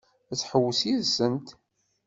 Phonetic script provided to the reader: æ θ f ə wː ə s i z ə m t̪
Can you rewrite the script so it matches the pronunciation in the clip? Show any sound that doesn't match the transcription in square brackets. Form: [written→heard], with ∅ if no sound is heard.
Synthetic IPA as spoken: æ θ [f→ħ] ə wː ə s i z ə [m→n] t̪